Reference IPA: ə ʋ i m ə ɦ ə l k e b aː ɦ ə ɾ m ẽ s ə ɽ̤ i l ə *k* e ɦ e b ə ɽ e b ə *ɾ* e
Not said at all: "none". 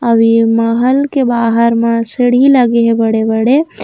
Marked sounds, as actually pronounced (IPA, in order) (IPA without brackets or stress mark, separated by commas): ɡ, ɽ